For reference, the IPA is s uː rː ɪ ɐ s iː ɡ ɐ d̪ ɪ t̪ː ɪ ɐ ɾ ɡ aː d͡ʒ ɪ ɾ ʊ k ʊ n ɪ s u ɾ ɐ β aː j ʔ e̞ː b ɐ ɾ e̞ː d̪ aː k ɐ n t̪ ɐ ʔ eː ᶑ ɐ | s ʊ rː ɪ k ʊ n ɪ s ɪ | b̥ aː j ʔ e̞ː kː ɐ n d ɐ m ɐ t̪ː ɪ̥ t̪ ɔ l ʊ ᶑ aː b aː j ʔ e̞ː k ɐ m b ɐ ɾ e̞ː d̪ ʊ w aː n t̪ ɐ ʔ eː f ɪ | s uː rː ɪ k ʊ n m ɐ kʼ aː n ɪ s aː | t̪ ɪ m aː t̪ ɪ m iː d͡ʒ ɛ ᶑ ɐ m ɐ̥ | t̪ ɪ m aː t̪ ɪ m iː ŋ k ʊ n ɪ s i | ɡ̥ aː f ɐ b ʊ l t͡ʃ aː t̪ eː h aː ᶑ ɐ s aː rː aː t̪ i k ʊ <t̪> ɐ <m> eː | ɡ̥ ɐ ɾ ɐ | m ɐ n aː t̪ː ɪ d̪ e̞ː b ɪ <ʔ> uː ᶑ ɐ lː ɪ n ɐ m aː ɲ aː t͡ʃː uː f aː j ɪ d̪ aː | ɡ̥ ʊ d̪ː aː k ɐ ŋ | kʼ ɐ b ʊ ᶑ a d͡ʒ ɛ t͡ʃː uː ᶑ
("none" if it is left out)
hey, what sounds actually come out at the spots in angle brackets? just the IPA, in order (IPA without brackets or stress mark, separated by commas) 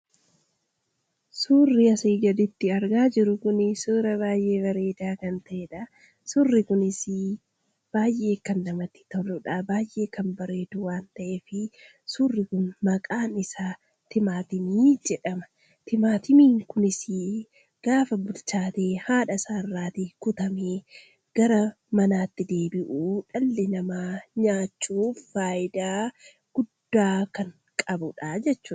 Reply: t̪, m, ʔ